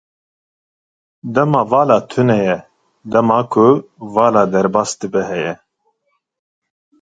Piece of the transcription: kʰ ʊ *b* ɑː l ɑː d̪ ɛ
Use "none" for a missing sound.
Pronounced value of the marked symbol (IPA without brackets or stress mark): v